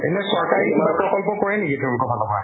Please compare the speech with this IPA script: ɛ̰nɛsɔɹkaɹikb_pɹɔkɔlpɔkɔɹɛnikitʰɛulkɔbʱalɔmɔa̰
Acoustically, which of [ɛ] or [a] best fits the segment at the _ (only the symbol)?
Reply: a